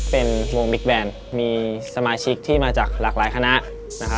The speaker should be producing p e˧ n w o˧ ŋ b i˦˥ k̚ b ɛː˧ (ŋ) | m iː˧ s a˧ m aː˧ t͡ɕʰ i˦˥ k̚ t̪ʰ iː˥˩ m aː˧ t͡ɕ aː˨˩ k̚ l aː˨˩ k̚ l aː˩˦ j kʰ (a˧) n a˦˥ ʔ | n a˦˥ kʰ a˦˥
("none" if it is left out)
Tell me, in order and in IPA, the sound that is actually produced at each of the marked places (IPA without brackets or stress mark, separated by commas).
n, a˧